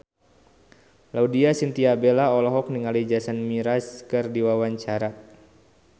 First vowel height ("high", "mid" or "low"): low